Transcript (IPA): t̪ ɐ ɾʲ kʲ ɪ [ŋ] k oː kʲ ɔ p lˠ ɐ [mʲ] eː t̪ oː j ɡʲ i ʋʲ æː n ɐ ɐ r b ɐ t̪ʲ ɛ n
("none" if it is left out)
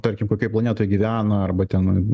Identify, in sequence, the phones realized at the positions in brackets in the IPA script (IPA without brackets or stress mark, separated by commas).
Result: m, nʲ